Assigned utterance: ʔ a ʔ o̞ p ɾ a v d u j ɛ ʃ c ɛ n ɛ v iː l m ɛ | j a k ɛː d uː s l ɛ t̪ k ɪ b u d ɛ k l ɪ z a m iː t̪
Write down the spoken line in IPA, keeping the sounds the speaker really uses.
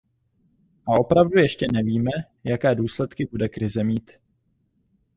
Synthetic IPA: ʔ a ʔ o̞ p ɾ a v d u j ɛ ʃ c ɛ n ɛ v iː m ɛ | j a k ɛː d uː s l ɛ t̪ k ɪ b u d ɛ k ɾ ɪ z ɛ m iː t̪